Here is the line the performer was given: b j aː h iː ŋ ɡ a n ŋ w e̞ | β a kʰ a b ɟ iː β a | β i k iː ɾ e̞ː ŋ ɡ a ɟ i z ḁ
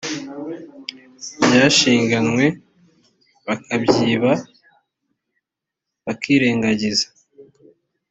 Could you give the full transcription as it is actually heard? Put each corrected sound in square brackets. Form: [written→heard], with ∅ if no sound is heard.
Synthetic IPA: b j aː [h→ʃ] iː ŋ ɡ a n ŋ w e̞ | β a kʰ a b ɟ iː β a | β [i→a] k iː ɾ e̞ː ŋ ɡ a ɟ i z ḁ